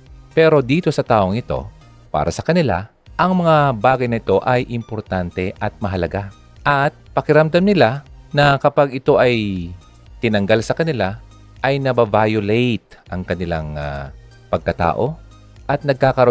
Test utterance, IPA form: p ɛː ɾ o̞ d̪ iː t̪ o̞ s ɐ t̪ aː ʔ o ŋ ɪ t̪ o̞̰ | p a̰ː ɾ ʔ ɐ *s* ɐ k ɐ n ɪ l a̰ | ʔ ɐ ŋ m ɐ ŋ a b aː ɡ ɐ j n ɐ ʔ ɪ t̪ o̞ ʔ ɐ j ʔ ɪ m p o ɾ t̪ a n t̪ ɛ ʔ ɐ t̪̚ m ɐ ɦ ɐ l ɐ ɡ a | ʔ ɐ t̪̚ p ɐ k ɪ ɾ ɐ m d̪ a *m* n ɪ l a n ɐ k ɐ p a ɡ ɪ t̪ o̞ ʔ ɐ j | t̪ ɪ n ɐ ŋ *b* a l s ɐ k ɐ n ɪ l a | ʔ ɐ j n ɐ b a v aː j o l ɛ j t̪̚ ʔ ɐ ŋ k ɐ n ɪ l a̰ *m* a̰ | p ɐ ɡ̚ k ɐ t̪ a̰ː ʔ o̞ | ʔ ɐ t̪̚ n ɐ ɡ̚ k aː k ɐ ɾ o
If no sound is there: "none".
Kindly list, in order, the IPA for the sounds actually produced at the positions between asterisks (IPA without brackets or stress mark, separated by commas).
s, m, ɡ, ŋ